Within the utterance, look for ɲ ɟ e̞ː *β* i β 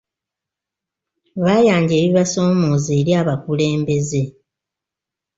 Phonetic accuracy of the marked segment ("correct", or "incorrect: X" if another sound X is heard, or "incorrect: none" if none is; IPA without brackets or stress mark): correct